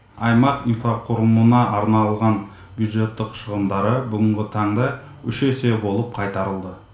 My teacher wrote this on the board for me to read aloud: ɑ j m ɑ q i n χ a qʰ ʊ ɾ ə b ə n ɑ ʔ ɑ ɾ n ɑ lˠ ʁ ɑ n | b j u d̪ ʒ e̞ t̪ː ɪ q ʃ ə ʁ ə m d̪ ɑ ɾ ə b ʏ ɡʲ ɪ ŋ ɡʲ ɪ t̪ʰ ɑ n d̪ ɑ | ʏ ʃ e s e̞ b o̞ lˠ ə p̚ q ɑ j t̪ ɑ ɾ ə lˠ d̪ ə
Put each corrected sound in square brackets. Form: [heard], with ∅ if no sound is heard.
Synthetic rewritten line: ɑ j m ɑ q i n [f] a qʰ ʊ ɾ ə [m] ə n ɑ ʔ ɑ ɾ n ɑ lˠ ʁ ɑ n | b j u d̪ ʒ e̞ t̪ː ɪ q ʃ ə ʁ ə m d̪ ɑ ɾ ə b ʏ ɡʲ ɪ ŋ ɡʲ ɪ t̪ʰ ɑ [ɴ] d̪ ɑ | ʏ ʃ e s e̞ b o̞ lˠ ə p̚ [qʰ] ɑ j t̪ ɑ ɾ ə lˠ d̪ ə